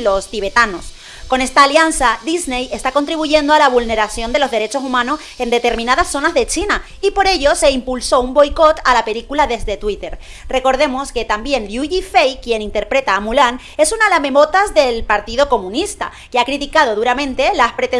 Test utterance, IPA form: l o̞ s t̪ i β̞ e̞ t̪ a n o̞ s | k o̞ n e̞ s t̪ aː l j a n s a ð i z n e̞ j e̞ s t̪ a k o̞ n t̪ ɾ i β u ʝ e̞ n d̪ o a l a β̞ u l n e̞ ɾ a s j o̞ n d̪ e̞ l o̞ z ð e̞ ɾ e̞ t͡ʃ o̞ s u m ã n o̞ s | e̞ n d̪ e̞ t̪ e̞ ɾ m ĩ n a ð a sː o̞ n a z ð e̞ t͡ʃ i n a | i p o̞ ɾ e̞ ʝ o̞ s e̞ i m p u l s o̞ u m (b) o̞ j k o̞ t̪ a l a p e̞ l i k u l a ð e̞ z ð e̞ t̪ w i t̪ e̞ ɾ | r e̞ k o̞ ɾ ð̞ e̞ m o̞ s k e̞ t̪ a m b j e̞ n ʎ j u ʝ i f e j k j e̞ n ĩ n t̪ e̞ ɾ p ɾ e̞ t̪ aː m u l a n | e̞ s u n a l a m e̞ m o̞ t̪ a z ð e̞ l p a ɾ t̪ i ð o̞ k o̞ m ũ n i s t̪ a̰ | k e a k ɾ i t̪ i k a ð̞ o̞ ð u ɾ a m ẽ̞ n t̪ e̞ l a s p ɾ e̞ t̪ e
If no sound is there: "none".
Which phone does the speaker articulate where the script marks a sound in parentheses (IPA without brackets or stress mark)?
b